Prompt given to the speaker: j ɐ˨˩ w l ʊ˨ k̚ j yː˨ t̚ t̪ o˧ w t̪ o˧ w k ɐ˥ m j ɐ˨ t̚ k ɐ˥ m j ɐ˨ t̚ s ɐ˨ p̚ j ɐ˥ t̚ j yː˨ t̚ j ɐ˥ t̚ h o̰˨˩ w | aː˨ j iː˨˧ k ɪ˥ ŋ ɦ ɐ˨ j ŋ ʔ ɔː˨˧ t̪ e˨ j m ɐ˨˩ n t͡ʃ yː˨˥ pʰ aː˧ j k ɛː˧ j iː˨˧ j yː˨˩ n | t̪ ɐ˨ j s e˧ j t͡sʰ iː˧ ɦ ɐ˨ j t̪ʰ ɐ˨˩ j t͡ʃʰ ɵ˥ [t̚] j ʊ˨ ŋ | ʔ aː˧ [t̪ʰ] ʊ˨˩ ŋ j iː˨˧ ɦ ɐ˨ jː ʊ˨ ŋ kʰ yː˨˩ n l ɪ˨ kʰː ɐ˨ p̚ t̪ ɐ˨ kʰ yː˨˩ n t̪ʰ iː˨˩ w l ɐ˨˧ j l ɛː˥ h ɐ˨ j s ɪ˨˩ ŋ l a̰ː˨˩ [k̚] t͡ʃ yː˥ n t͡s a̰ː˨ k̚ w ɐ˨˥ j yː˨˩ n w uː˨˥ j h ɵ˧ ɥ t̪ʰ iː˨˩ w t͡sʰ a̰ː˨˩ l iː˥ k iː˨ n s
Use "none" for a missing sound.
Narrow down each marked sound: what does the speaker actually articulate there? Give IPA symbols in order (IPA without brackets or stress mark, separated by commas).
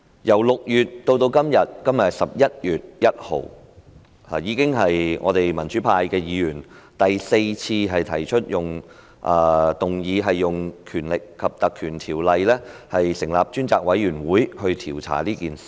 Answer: t̚, t̪, p̚